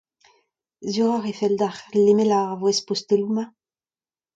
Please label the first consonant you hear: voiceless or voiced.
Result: voiced